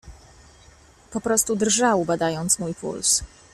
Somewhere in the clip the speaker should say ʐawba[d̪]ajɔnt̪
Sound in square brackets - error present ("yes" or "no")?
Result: no